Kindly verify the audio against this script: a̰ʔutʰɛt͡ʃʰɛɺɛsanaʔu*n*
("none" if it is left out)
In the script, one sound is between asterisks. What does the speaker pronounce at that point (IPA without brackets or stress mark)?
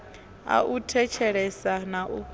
none